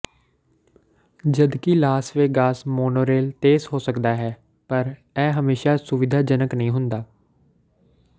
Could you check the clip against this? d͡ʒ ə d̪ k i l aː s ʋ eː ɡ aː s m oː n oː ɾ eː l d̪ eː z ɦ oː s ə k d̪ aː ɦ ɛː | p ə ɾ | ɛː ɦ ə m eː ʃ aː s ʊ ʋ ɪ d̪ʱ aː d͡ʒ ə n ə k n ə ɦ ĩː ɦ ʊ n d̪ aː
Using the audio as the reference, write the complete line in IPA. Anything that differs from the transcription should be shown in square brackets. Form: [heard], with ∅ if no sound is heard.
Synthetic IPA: d͡ʒ ə d̪ k i l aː s ʋ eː ɡ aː s m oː n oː ɾ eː l [t̪] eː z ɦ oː s ə k d̪ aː ɦ ɛː | p ə ɾ | ɛː ɦ ə m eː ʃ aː s ʊ ʋ ɪ d̪ʱ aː d͡ʒ ə n ə k n ə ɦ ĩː ɦ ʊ n d̪ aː